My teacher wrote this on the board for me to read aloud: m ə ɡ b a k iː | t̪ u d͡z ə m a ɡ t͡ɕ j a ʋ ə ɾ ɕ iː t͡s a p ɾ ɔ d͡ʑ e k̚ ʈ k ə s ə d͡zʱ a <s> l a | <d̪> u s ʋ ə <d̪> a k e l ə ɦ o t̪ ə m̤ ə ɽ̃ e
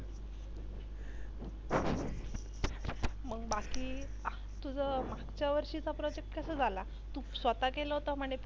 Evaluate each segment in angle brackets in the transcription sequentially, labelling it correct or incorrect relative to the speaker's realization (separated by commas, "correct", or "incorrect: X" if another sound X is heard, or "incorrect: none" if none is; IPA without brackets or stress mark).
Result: incorrect: none, incorrect: t̪, incorrect: t̪